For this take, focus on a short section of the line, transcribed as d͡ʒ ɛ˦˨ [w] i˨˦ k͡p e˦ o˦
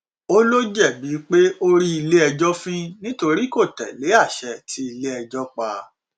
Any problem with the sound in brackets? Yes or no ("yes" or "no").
yes